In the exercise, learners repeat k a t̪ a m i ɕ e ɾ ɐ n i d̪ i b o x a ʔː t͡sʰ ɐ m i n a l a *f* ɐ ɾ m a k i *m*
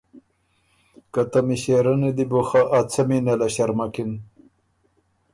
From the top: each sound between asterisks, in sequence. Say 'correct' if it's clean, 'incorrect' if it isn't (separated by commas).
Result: incorrect, incorrect